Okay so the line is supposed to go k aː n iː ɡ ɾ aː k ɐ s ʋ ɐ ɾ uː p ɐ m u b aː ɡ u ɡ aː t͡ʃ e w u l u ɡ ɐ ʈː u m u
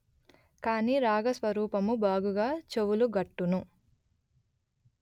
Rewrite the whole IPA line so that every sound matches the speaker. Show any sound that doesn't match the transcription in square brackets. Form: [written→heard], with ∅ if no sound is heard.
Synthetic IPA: k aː n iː [ɡ→∅] ɾ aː [k→ɡ] ɐ s ʋ ɐ ɾ uː p ɐ m u b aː ɡ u ɡ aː t͡ʃ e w u l u ɡ ɐ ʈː u [m→n] u

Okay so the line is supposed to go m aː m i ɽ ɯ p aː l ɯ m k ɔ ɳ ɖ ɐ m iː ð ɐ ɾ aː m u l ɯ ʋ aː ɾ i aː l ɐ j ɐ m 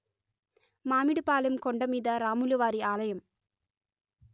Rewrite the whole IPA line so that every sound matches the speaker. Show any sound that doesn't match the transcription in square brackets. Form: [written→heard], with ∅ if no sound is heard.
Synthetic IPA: m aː m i ɽ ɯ p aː l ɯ m k ɔ ɳ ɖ ɐ m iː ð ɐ ɾ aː m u l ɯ ʋ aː ɾ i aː l ɐ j ɐ m

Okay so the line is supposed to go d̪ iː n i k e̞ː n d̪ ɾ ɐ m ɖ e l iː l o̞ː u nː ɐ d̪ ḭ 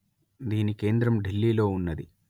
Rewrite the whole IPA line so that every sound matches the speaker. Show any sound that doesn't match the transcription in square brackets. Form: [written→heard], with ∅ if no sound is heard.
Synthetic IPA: d̪ iː n i k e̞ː n d̪ ɾ ɐ m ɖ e [l→lː] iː l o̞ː u nː ɐ d̪ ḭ

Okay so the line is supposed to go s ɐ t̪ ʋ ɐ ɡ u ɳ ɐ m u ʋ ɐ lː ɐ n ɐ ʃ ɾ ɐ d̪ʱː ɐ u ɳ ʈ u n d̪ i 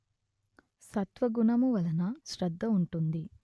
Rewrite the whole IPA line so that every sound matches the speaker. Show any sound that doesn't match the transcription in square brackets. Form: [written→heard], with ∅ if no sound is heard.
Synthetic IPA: s ɐ t̪ ʋ ɐ ɡ u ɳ ɐ m u ʋ ɐ [lː→l] ɐ n ɐ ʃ ɾ ɐ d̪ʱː ɐ u ɳ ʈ u n d̪ i

